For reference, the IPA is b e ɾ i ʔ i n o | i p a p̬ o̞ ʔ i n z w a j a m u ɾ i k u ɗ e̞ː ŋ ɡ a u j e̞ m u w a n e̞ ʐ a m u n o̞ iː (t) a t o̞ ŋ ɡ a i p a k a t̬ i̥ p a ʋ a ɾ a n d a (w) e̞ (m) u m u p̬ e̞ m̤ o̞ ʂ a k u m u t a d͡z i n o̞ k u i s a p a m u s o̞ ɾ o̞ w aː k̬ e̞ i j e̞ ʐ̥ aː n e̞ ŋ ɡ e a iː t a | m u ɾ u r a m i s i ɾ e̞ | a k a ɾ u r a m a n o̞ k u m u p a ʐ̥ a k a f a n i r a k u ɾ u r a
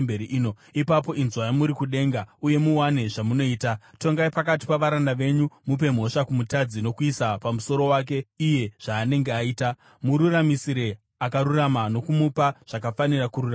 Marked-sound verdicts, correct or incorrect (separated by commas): correct, incorrect, incorrect